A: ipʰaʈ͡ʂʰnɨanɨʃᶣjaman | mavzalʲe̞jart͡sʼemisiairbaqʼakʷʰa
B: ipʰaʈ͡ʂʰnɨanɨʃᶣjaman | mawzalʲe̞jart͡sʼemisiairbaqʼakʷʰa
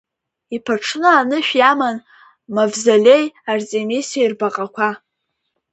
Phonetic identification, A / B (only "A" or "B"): A